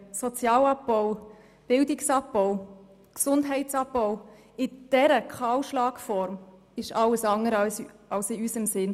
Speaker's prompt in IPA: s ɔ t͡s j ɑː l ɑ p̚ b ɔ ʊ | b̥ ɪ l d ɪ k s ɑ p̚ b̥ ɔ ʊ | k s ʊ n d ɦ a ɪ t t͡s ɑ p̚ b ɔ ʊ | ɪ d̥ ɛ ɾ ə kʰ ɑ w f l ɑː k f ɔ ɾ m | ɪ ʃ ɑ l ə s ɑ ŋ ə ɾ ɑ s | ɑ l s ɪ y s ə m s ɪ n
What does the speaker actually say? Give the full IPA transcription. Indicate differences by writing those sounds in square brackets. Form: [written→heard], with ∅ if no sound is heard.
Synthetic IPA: s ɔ t͡s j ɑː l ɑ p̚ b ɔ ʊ | b̥ ɪ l d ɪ k s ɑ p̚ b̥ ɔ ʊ | k s ʊ n d ɦ [a→ɛ] ɪ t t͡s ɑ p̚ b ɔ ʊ | ɪ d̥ ɛ ɾ ə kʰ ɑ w [f→ʃ] l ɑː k f ɔ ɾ m | ɪ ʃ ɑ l ə s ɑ ŋ ə ɾ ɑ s | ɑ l s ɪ y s ə m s ɪ n